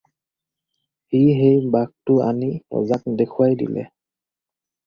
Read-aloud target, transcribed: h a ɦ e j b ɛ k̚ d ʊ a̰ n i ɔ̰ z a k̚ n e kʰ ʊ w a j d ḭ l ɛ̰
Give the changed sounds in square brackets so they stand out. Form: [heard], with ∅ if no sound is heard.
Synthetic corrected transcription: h [i] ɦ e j b [a] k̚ [t] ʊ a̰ n i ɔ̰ z a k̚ [d] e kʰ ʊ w a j d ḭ l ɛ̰

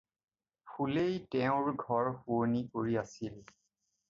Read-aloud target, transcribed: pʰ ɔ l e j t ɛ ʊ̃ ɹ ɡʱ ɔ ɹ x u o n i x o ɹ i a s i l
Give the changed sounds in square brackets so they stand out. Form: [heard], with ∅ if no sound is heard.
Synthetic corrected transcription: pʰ [u] l e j t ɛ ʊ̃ ɹ ɡʱ ɔ ɹ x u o n i [k] o ɹ i a s i l

